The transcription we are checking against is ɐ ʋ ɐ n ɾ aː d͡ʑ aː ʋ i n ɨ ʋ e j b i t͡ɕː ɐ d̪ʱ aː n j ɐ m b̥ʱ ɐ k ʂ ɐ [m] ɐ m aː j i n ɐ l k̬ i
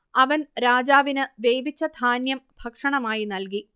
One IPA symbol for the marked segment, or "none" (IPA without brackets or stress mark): ɳ